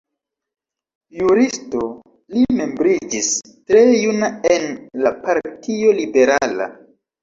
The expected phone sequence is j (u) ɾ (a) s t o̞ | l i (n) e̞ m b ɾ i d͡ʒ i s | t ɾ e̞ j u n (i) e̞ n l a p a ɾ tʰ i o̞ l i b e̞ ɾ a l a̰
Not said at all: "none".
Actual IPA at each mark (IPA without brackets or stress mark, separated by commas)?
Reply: u, i, m, a